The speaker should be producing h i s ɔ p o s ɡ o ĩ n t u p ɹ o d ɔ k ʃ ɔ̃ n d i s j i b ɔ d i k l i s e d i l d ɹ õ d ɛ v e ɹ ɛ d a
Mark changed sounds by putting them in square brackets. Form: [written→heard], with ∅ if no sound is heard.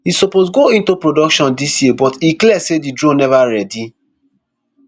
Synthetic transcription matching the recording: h i s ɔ p o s ɡ o ĩ n t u p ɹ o d ɔ k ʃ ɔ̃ n d i s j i b ɔ [d→t] i k l [i→ɛ] s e d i [l→∅] d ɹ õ [d→n] ɛ v [e→a] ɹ ɛ d [a→i]